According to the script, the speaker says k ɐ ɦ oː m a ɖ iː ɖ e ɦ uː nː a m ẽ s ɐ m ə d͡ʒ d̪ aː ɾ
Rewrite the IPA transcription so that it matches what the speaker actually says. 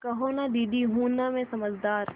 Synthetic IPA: k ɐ ɦ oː n a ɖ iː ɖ i ɦ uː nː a m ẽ s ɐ m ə d͡ʒ d̪ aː ɾ